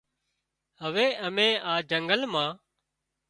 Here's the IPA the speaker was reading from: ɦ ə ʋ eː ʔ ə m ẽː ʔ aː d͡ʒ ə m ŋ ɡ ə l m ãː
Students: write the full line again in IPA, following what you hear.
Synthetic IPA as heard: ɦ ə ʋ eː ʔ ə m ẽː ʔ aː d͡ʒ ə ŋ ɡ ə l m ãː